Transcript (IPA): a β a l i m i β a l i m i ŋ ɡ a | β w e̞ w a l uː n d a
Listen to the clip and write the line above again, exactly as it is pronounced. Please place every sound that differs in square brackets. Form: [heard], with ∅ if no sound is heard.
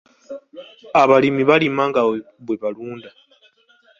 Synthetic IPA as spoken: a β a l i m i β a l i m [a] ŋ ɡ a | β w e̞ [β] a l uː n d a